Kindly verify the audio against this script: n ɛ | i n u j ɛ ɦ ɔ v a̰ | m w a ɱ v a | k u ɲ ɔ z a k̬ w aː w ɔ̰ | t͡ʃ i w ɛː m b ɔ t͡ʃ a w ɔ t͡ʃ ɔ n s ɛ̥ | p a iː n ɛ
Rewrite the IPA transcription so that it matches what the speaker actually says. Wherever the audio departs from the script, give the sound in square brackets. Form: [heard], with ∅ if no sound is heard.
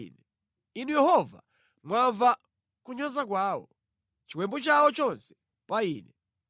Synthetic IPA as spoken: n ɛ | i n u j ɛ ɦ ɔ v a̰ | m w a ɱ v a | k u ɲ ɔ z a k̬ w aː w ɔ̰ | t͡ʃ i w [ɛ] m b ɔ t͡ʃ a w ɔ t͡ʃ ɔ n s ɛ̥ | p a iː n ɛ